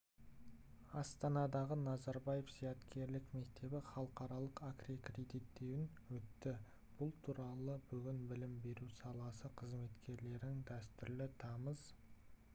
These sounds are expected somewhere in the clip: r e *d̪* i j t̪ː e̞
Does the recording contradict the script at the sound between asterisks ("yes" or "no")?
no